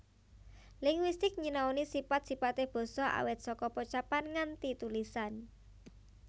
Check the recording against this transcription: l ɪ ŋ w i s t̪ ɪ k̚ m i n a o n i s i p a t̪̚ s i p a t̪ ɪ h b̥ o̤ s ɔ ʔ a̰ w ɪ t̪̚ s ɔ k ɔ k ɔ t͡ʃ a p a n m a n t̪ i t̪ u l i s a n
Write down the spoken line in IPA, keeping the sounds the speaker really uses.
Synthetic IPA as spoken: l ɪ ŋ w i s t̪ ɪ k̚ ɲ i n a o n i s i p a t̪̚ s i p a t̪ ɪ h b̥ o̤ s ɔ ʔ a̰ w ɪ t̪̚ s ɔ k ɔ p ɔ t͡ʃ a p a n ŋ a n t̪ i t̪ u l i s a n